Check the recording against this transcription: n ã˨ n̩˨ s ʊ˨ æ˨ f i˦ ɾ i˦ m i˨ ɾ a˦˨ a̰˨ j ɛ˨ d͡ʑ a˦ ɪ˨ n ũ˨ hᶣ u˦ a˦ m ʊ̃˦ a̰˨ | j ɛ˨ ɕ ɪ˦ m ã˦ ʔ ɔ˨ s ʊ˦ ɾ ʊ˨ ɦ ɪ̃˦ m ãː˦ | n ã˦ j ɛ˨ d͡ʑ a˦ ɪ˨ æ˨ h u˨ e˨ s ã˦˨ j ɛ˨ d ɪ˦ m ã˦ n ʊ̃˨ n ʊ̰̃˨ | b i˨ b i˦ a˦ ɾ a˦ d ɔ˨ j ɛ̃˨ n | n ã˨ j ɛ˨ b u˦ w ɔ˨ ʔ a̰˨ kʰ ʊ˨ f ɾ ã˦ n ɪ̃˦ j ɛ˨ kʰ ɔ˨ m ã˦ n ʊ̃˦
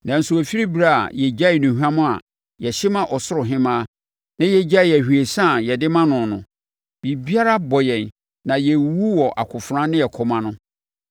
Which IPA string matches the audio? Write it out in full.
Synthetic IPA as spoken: n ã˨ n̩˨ s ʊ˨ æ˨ f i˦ ɾ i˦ b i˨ ɾ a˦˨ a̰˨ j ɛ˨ d͡ʑ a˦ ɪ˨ n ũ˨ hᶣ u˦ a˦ m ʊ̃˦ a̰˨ | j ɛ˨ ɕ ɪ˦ m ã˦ ʔ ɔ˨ s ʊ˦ ɾ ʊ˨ ɦ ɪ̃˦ m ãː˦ | n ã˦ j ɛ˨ d͡ʑ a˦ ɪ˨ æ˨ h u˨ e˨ s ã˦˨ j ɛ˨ d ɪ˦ m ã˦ n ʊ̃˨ n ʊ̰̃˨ | b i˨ b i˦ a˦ ɾ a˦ b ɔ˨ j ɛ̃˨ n | n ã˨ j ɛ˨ w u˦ w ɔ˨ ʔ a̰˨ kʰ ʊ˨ f ɾ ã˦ n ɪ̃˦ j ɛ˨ kʰ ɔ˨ m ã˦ n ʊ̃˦

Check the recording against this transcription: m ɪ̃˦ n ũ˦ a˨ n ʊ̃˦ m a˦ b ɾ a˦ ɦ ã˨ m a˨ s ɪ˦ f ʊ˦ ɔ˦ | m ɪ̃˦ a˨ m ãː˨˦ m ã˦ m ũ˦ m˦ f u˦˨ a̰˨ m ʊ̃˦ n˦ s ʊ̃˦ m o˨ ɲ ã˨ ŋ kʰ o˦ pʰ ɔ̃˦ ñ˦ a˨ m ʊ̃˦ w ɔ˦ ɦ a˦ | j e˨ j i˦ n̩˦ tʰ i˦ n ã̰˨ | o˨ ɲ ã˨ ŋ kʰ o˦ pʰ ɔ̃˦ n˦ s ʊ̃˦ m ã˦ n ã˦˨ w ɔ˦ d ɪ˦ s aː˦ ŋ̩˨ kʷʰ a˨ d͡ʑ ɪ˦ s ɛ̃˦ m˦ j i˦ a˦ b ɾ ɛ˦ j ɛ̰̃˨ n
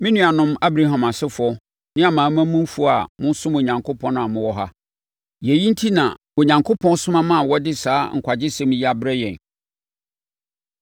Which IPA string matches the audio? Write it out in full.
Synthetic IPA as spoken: m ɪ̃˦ n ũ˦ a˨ n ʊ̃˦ m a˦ b ɾ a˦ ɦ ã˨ m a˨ s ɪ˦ f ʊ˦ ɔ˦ | n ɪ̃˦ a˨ m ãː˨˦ m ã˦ m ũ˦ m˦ f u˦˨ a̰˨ m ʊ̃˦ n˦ s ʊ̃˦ m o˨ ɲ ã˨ ŋ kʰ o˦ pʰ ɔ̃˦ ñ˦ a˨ m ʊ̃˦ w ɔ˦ ɦ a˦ | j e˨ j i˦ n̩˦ tʰ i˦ n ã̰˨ | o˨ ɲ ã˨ ŋ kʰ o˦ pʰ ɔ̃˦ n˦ s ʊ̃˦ m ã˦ m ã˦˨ w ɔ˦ d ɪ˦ s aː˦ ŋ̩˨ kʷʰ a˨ d͡ʑ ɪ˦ s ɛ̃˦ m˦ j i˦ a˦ b ɾ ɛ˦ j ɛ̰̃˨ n

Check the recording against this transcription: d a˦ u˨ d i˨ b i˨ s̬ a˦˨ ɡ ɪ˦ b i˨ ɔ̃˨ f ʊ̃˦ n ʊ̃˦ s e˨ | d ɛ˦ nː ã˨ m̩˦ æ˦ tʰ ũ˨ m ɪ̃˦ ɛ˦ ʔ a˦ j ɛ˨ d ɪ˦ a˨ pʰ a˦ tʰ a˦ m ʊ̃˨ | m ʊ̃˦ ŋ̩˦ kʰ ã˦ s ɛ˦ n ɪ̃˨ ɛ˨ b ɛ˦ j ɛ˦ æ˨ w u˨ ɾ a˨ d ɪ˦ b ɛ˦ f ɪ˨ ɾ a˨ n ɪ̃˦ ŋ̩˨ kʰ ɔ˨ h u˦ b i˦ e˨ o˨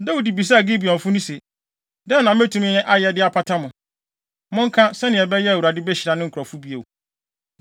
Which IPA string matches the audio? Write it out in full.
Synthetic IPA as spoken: d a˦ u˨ d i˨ b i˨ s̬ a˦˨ ɡ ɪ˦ b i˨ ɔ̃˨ f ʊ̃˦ n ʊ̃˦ s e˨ | d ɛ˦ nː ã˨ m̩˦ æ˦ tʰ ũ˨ m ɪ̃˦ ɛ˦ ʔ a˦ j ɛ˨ d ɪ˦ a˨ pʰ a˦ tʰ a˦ m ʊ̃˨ | m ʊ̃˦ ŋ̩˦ kʰ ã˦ s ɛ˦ n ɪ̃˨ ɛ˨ b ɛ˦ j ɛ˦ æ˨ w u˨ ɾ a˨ d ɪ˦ b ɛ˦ ɕ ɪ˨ ɾ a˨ n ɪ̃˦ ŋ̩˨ kʰ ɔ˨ f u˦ b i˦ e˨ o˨

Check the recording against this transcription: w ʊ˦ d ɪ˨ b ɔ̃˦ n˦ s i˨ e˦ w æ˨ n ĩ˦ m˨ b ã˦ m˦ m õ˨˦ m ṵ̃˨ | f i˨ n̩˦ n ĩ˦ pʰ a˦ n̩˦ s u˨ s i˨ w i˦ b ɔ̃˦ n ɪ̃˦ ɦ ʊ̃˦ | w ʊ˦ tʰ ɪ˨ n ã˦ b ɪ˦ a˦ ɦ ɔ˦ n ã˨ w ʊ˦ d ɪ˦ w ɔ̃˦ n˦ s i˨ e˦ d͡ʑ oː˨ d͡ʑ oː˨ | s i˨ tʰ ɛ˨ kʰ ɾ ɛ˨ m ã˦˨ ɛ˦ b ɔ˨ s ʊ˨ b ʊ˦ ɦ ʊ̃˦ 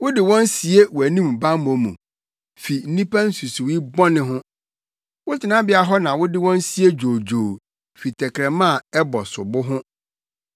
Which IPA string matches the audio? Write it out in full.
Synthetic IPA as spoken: w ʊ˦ d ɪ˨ w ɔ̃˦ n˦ s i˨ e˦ w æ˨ n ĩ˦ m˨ b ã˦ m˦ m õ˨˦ m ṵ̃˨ | f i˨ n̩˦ n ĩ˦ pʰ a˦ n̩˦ s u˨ s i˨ w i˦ b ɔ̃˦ n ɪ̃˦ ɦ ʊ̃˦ | w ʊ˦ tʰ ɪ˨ n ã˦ b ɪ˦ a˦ ɦ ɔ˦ n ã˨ w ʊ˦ d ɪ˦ w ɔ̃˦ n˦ s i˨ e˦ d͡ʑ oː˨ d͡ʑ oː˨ | f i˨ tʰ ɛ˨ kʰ ɾ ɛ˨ m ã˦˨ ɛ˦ b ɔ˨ s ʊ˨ b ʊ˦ ɦ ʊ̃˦

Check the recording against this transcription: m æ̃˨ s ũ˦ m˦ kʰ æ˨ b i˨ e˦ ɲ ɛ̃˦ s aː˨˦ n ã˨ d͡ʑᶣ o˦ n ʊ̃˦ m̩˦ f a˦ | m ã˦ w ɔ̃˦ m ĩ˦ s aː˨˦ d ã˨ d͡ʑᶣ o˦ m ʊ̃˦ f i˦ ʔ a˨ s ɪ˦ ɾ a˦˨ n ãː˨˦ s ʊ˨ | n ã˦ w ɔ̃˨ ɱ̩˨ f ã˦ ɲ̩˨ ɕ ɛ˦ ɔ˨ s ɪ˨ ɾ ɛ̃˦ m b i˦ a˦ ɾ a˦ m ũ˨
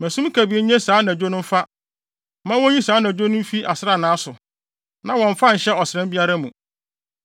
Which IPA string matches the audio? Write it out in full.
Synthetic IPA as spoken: m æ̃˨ s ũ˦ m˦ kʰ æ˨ b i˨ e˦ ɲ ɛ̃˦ s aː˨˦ n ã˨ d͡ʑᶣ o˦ n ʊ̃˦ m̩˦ f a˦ | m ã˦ w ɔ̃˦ ɲ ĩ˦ s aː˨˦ n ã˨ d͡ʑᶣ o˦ n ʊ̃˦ f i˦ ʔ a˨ s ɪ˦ ɾ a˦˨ n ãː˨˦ s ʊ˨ | n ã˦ w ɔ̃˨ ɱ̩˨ f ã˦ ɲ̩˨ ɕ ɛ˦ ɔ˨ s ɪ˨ ɾ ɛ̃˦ m b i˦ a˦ ɾ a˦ m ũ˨

